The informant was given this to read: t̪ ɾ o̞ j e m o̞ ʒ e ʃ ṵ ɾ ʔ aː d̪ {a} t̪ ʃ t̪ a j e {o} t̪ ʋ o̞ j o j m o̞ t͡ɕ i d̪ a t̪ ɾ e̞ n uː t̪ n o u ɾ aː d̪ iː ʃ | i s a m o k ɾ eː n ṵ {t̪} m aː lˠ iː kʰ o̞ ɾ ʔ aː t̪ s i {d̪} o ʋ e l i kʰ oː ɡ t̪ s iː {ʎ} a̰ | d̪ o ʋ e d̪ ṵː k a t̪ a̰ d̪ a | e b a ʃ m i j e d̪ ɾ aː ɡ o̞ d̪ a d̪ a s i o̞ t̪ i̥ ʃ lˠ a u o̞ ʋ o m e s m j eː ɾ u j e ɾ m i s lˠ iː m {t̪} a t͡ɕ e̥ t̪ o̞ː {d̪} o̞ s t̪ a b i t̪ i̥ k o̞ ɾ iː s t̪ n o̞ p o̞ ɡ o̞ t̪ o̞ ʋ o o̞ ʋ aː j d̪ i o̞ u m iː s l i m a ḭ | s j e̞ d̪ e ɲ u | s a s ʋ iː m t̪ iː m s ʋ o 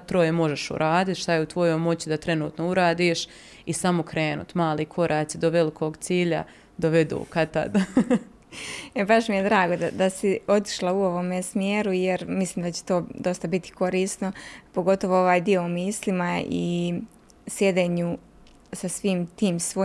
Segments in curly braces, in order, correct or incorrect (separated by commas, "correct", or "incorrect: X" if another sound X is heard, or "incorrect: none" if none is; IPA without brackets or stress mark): incorrect: i, incorrect: u, correct, correct, correct, incorrect: d̪, correct